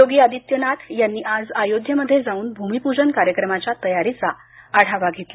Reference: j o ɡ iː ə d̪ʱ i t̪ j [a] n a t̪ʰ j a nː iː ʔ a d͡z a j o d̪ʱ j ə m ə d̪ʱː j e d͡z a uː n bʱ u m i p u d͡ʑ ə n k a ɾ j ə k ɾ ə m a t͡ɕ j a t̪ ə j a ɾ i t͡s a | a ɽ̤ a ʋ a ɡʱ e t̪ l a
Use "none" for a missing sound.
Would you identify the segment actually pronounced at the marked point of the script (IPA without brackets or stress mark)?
ə